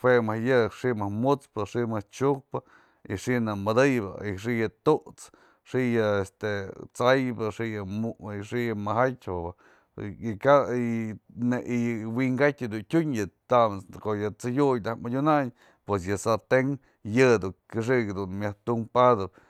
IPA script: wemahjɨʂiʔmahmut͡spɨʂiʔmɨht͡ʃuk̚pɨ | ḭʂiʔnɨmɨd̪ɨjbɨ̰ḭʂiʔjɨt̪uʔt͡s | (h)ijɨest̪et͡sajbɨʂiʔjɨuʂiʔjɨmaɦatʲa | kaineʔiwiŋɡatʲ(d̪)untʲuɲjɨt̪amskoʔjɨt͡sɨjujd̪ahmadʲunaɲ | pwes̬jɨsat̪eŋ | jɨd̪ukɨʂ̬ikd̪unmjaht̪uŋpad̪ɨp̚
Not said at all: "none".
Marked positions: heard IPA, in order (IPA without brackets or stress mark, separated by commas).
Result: ʂ, d̪